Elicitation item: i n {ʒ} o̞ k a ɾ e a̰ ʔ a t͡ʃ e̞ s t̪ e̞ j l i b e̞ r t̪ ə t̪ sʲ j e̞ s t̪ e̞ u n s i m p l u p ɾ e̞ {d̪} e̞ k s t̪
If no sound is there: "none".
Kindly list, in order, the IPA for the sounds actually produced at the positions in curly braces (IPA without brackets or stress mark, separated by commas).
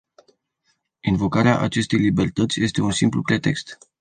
v, t̪